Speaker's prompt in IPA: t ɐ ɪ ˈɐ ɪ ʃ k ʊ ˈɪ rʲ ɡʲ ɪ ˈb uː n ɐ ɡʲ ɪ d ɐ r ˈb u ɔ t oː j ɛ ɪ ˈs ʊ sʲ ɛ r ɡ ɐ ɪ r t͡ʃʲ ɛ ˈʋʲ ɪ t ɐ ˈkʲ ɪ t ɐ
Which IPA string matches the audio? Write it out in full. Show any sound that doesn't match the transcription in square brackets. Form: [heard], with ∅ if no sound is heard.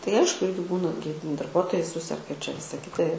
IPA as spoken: t ɐ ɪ ˈɐ ɪ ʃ k ʊ ˈɪ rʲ ɡʲ ɪ ˈb uː n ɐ ɡʲ ɪ d ɐ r ˈb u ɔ t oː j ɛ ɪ ˈs ʊ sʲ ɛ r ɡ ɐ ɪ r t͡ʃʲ ɛ ˈʋʲ ɪ [s] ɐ ˈkʲ ɪ t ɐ